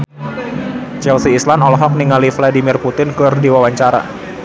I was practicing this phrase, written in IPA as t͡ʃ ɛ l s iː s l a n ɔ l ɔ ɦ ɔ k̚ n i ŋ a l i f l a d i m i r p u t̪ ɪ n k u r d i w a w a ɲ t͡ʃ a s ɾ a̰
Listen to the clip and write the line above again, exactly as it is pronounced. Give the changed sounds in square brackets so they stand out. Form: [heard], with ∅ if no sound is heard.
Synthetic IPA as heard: t͡ʃ ɛ l s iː s l a n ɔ l ɔ ɦ ɔ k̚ n i ŋ a l i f l a d i m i r p u t̪ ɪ n k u r d i w a w a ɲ t͡ʃ a [∅] ɾ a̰